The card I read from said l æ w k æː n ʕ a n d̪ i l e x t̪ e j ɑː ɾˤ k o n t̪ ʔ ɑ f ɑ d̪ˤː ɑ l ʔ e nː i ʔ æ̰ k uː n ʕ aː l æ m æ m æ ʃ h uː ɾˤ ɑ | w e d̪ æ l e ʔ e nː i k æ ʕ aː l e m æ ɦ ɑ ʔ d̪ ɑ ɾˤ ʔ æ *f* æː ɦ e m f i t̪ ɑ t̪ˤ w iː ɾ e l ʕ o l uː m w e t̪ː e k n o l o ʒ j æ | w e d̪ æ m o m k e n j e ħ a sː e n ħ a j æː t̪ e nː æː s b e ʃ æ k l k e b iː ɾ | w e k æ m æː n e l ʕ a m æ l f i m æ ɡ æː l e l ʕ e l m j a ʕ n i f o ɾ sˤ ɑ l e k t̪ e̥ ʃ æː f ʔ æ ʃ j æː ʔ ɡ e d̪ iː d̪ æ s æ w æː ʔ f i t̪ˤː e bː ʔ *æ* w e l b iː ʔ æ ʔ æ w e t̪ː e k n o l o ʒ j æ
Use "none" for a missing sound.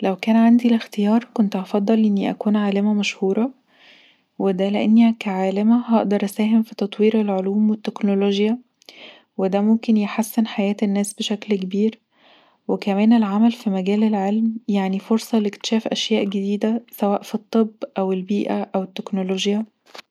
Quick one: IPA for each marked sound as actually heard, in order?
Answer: s, æ

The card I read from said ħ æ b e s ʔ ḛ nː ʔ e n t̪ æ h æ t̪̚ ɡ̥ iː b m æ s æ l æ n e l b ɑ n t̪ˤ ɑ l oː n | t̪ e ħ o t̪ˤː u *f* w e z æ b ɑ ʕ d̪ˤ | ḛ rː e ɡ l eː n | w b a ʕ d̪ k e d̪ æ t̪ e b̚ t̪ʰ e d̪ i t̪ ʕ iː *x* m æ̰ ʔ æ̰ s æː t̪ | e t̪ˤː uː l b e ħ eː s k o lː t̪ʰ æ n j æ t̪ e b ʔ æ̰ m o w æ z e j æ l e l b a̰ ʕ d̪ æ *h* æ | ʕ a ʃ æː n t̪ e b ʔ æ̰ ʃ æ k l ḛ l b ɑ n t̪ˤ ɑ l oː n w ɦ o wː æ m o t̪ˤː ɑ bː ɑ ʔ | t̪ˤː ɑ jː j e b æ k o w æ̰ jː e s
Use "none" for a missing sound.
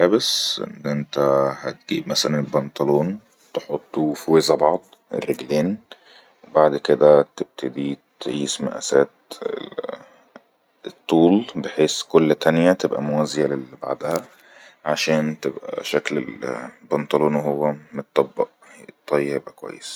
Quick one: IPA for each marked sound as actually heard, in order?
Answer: f, s, h

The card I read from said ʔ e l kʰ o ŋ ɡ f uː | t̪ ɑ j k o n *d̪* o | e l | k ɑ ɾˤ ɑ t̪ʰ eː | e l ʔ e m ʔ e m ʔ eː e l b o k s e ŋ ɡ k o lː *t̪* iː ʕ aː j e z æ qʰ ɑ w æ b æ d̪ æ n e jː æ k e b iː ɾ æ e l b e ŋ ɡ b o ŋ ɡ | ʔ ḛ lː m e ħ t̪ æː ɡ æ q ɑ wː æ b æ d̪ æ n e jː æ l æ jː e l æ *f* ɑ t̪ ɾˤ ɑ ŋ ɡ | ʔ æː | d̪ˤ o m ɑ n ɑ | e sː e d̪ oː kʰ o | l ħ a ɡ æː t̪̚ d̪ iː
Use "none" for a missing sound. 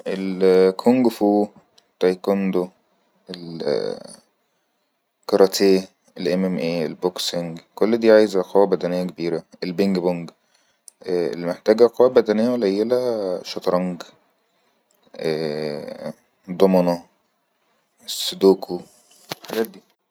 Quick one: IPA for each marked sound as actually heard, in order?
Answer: d̪, d̪, ʃ

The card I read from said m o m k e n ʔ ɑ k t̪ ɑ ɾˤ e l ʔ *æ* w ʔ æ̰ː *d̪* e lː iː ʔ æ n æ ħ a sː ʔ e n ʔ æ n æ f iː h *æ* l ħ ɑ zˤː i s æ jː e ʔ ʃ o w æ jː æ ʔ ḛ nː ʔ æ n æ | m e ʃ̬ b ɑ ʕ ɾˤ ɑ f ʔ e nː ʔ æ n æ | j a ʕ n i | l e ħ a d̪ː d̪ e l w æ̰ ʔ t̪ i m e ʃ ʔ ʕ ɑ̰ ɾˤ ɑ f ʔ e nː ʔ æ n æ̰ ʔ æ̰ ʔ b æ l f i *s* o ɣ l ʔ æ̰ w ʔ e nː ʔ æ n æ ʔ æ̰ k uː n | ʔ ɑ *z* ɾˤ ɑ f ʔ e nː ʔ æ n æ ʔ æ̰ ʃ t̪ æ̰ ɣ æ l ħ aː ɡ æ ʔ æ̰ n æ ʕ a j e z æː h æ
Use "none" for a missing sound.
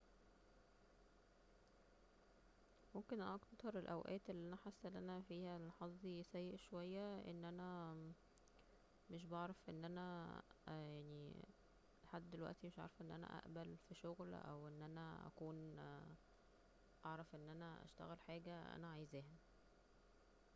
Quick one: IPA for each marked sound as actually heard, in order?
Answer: æ, t̪, æ, ʃ, ʕ

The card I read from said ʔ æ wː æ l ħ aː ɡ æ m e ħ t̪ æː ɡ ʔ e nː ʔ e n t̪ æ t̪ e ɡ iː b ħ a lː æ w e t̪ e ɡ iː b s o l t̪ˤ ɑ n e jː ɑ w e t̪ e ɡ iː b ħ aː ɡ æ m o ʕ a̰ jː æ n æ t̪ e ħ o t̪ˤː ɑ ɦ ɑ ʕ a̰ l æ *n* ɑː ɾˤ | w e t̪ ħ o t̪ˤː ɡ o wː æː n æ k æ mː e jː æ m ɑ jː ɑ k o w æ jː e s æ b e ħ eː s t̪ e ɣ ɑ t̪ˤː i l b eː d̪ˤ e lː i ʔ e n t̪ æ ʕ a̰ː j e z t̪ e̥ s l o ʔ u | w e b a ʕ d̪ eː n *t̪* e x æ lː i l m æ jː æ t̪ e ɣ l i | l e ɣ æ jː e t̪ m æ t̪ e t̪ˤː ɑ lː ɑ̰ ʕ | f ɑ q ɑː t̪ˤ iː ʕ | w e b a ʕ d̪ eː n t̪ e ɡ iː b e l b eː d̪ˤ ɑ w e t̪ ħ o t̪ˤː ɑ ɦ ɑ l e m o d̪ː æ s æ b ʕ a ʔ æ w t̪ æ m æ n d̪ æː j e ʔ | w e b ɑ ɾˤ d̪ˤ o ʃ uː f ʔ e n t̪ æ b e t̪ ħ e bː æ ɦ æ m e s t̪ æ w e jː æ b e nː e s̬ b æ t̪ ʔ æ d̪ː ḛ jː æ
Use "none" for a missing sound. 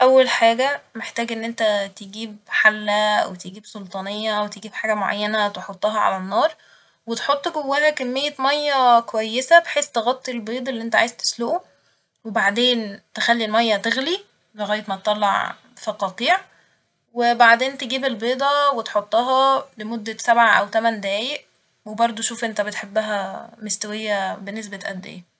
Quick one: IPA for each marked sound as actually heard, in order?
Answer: nː, t̪

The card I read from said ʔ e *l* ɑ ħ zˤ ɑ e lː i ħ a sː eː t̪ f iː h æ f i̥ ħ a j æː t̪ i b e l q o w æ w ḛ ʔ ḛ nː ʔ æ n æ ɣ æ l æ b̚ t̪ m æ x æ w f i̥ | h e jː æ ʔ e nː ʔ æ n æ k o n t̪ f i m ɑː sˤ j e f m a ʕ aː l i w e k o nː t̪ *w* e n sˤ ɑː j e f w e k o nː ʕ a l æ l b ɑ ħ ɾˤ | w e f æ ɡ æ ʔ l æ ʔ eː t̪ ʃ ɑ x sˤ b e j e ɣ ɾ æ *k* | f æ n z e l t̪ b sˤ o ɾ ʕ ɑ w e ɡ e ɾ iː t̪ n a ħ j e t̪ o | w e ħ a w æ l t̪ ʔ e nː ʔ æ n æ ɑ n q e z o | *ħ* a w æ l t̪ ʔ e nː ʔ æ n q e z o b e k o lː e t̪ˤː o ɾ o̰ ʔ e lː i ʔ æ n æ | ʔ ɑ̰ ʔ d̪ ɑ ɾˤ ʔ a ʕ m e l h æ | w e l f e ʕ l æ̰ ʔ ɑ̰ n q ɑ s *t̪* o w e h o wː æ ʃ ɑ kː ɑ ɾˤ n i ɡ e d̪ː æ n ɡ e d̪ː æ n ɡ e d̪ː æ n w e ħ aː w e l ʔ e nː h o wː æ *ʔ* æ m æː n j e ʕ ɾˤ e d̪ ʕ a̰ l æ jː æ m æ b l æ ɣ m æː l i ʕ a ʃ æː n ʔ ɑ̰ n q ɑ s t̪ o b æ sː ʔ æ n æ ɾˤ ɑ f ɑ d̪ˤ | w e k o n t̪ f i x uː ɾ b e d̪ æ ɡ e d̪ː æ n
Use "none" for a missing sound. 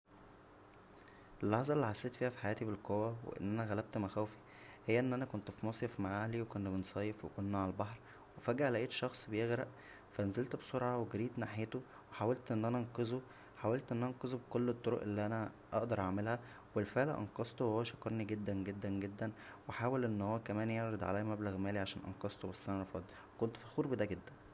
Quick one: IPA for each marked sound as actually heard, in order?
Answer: lː, b, ʔ, ħ, t̪, k

